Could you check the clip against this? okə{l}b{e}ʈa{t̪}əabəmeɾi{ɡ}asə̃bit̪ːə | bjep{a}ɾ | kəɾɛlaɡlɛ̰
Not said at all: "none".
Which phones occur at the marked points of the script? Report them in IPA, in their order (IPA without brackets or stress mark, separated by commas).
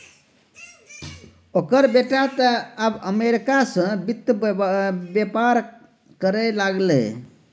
ɾ, e, t̪, k, a